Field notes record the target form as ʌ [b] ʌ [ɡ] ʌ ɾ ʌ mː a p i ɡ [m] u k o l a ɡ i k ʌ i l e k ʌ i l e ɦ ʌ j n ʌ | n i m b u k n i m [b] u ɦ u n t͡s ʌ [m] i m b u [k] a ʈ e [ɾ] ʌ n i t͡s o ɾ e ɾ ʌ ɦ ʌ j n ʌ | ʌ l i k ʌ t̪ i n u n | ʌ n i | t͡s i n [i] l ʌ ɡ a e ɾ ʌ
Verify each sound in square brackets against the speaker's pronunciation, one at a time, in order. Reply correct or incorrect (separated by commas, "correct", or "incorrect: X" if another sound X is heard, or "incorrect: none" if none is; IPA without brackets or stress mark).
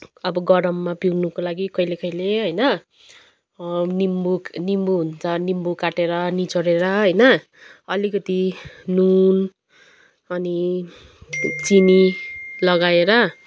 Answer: correct, correct, incorrect: n, correct, incorrect: n, correct, correct, correct